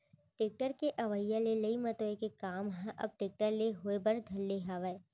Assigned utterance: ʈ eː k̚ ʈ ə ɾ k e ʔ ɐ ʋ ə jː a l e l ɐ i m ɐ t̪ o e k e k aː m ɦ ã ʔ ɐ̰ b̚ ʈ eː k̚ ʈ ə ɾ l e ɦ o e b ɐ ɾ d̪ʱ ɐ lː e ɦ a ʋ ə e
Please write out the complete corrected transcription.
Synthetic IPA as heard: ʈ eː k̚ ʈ ə ɾ k e ʔ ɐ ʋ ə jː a l e l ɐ i m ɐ t̪ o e k e k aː m ɦ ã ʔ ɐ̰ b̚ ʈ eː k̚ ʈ ə ɾ l e ɦ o e b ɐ ɾ d̪ʱ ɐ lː e ɦ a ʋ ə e